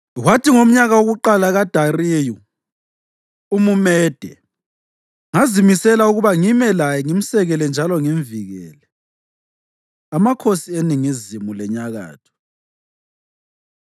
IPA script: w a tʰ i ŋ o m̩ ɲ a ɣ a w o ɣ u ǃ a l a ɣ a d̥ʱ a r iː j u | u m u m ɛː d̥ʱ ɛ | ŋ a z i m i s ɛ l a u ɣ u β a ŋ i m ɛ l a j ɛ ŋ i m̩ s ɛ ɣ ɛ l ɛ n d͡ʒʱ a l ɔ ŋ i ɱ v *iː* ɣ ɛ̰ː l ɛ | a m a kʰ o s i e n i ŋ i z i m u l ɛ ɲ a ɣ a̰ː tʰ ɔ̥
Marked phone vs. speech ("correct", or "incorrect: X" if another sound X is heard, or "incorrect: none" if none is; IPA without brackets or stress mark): incorrect: i